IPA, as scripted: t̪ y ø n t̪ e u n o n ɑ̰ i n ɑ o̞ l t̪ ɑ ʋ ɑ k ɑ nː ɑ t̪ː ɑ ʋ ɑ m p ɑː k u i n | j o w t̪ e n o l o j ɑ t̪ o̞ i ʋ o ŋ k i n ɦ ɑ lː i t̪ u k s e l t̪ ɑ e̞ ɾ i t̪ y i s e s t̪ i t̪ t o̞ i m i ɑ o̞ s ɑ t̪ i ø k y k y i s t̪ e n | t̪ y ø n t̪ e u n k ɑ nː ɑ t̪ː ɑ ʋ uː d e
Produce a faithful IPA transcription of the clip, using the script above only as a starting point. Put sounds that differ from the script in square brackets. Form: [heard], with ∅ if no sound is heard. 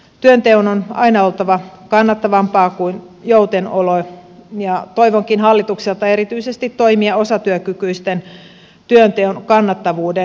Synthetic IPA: t̪ y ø n t̪ e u n o n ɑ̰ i n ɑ o̞ l t̪ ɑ ʋ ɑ k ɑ nː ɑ t̪ː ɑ ʋ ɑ m p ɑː k u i n | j o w t̪ e n o l o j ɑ t̪ o̞ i ʋ o ŋ k i n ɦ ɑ lː i t̪ u k s e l t̪ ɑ e̞ ɾ i t̪ y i s e s t̪ i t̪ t o̞ i m i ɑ o̞ s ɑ t̪ [y] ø k y k y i s t̪ e n | t̪ y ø n t̪ e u n k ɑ nː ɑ t̪ː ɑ ʋ uː d e